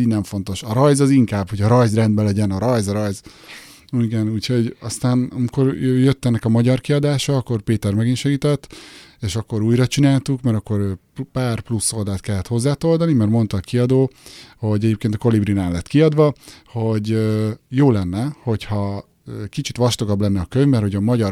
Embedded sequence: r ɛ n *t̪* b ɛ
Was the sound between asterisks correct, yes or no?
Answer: no